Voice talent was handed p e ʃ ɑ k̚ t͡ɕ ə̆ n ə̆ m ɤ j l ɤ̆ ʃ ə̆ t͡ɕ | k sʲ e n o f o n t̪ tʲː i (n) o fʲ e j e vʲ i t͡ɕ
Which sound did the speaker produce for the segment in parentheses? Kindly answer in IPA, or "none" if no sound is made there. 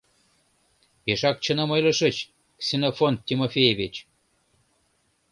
m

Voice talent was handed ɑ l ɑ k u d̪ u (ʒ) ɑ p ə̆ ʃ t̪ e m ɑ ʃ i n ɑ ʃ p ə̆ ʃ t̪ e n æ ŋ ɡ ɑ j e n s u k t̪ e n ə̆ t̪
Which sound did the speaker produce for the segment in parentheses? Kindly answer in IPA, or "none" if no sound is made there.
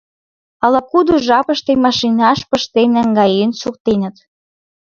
ʒ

